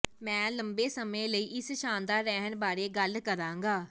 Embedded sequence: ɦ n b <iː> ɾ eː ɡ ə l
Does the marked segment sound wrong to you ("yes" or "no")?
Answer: yes